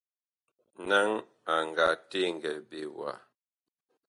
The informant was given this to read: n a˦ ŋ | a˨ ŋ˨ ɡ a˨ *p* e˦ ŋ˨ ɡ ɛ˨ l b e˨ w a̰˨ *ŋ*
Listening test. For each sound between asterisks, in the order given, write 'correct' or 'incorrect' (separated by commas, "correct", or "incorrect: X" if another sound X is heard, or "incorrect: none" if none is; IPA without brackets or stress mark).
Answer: incorrect: t, incorrect: none